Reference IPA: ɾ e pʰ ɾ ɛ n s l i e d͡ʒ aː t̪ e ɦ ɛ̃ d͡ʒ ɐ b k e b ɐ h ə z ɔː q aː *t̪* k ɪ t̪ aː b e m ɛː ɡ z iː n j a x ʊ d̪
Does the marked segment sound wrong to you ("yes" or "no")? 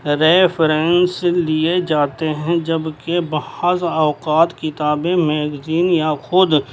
no